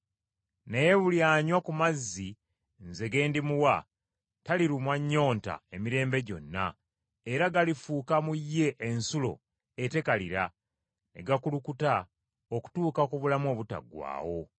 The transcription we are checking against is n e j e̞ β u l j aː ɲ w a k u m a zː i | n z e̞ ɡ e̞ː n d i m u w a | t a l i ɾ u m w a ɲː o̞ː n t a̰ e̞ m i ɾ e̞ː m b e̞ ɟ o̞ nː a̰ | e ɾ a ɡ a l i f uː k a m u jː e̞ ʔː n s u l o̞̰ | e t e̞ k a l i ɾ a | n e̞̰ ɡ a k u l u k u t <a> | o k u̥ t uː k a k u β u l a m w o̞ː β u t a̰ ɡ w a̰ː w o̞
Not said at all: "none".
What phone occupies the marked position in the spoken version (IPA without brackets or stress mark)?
a